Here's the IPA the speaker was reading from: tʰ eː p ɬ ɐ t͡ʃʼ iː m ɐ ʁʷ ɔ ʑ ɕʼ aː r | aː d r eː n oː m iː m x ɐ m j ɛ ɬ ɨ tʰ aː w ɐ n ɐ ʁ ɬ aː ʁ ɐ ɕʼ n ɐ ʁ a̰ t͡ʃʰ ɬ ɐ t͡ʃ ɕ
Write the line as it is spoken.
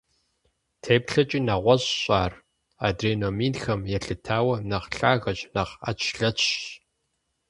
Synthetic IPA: tʰ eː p ɬ ɐ t͡ʃʼ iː n ɐ ʁʷ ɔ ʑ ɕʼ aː r | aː d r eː n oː m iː n x ɐ m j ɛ ɬ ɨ tʰ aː w ɐ n ɐ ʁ ɬ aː ɣ ɐ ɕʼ n ɐ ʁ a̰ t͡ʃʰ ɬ ɐ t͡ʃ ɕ